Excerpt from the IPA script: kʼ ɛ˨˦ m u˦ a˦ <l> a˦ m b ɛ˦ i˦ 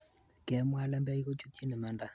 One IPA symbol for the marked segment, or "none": l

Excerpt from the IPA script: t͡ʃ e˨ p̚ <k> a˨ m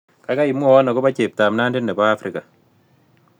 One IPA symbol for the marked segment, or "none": t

